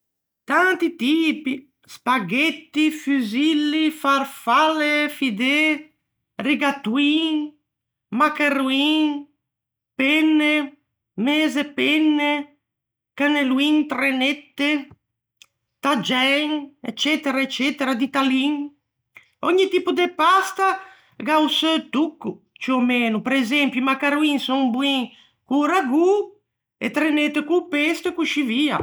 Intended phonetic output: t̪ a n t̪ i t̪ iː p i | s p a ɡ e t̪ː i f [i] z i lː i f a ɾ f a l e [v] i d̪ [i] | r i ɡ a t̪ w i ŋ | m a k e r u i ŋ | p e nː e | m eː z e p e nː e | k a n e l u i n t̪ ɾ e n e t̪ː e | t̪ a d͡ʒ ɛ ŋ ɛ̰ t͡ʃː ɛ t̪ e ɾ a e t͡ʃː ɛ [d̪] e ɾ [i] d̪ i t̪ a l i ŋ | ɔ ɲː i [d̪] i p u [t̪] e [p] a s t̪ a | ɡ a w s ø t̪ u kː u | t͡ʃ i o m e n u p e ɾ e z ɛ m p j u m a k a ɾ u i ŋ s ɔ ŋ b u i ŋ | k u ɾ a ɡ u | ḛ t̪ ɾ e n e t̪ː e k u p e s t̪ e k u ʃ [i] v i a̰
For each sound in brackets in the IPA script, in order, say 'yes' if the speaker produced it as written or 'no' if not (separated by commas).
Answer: no, no, no, no, no, no, no, yes, yes